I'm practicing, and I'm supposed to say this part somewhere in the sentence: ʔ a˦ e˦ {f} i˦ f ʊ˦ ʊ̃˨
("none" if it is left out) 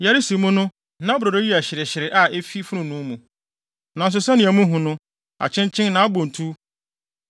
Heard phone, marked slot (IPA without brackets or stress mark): f